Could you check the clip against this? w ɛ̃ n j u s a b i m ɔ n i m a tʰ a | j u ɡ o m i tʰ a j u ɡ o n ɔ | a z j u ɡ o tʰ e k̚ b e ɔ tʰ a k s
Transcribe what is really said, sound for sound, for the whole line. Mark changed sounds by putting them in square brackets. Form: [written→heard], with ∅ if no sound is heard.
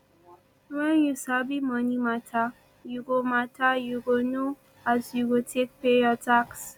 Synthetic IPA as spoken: w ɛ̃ n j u s a b i m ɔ n i m a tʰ a | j u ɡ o m [i→a] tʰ a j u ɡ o n [ɔ→o] | a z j u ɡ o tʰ e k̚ [b→p] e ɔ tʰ a k s